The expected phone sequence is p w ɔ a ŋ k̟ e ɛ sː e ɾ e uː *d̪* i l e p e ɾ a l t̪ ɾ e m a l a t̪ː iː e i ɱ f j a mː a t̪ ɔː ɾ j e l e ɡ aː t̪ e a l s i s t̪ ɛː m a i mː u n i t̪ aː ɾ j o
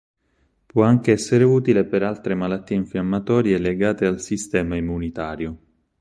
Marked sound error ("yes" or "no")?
yes